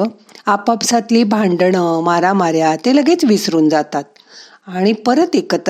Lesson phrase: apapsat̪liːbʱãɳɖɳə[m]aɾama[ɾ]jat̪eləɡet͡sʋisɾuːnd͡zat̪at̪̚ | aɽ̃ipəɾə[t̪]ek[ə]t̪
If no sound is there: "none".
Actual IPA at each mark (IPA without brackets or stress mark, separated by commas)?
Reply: m, ɾ, t̪, ə